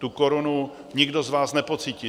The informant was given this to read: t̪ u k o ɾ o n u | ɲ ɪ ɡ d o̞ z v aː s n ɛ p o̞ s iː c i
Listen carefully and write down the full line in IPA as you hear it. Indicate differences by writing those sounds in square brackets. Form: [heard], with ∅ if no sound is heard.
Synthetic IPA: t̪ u k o ɾ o n u | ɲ ɪ ɡ d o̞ z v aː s n ɛ p o̞ [t͡s] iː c i